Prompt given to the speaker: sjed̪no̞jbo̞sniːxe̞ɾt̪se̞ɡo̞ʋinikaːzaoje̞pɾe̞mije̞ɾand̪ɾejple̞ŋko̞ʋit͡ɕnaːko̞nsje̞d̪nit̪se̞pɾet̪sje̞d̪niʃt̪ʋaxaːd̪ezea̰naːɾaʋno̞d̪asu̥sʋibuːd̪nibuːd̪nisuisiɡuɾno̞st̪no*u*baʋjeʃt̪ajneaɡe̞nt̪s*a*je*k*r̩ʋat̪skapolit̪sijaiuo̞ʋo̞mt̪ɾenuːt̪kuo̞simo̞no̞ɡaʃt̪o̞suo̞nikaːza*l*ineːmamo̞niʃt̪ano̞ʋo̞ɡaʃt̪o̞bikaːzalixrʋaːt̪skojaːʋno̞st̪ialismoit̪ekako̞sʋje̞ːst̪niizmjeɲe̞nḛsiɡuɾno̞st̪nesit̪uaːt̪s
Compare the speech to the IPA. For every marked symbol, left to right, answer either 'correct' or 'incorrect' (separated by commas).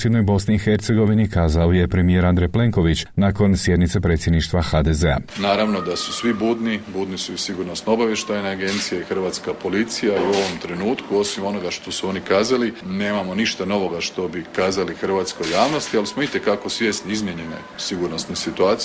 incorrect, incorrect, incorrect, correct